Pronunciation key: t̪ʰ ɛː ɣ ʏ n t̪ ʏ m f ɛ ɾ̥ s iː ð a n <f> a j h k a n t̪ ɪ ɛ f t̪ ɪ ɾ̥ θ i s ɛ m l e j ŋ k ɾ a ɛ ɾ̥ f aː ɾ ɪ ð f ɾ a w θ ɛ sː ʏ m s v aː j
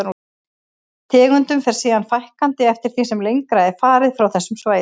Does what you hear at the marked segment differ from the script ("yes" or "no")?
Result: no